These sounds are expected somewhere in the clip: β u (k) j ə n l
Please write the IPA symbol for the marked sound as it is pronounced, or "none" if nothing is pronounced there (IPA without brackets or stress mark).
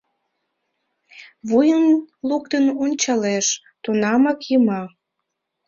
none